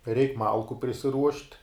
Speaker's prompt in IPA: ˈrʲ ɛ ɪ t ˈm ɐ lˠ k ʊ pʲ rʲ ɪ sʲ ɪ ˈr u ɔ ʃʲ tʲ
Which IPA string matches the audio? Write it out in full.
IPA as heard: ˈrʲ ɛ ɪ k ˈm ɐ lˠ k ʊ pʲ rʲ ɪ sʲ ɪ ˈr u ɔ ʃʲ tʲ